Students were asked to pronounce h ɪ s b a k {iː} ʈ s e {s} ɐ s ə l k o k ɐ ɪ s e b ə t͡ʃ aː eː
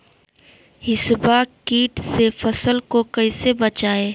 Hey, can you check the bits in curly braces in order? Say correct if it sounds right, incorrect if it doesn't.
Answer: correct, incorrect

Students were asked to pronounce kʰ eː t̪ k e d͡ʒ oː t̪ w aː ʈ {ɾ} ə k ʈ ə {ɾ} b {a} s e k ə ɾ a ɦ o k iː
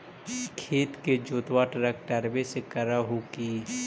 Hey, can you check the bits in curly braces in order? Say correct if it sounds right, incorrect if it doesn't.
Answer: correct, correct, incorrect

